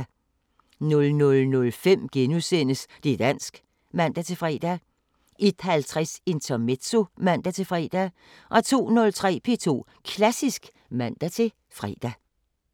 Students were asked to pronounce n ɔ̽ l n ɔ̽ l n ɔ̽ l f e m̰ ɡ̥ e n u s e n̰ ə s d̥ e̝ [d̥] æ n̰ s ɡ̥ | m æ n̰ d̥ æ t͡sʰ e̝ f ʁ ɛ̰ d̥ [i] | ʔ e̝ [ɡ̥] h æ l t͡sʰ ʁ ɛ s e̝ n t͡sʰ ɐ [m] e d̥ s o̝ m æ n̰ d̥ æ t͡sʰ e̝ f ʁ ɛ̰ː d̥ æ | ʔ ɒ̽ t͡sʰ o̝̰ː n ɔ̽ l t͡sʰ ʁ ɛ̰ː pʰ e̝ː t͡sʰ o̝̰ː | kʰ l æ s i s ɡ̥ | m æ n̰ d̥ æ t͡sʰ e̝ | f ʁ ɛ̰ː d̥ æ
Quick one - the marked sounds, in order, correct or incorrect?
correct, incorrect, incorrect, correct

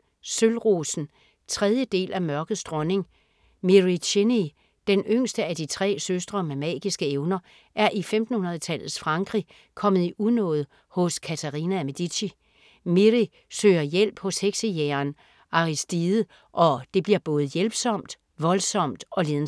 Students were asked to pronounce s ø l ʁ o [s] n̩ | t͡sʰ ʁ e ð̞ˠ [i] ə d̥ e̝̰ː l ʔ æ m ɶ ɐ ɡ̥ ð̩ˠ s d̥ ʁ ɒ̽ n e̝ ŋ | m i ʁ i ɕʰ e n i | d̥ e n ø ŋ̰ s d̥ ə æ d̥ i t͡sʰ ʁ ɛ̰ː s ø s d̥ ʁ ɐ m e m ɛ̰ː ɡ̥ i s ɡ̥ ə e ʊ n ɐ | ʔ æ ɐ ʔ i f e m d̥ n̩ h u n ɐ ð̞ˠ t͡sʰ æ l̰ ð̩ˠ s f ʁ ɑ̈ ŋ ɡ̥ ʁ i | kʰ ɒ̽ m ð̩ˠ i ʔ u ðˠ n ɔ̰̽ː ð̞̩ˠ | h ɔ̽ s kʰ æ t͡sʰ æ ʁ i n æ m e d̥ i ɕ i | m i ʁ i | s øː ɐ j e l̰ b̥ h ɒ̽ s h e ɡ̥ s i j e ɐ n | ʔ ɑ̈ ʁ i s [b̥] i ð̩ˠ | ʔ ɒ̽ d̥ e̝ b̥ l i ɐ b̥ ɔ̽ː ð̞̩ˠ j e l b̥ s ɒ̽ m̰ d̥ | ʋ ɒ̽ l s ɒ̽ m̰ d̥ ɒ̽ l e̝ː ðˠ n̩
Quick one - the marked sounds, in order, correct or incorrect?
correct, incorrect, incorrect

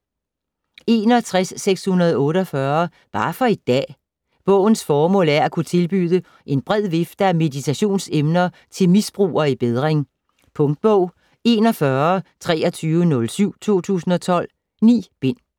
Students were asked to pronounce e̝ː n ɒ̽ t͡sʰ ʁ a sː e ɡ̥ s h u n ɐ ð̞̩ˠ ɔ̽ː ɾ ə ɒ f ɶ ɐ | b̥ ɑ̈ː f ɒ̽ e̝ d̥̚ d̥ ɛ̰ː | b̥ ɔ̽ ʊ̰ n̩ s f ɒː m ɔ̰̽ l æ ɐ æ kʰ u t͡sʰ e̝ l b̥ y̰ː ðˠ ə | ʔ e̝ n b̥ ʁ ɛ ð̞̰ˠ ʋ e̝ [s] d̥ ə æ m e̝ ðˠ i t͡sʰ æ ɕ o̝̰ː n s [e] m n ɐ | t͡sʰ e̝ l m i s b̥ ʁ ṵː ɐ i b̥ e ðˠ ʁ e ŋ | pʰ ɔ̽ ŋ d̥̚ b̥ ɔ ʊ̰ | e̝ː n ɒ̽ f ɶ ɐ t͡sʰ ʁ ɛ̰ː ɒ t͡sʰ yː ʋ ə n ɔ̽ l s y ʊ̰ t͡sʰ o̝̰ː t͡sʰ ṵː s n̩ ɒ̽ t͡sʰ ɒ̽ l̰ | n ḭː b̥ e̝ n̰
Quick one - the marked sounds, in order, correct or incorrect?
incorrect, correct

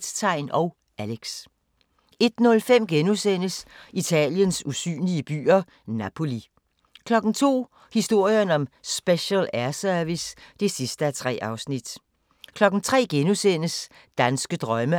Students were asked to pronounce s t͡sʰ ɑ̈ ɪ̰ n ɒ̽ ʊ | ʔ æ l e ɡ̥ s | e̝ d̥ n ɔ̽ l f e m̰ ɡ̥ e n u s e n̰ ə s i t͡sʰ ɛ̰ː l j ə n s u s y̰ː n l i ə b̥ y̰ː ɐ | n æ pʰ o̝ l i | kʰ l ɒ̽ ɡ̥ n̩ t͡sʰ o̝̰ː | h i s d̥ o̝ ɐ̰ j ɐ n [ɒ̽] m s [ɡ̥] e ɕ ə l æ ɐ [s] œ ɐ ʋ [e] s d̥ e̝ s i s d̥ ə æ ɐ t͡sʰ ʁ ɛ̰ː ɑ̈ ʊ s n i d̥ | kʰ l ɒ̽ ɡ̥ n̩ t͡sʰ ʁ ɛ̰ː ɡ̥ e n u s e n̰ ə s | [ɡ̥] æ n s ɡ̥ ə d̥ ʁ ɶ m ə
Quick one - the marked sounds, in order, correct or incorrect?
correct, incorrect, correct, incorrect, incorrect

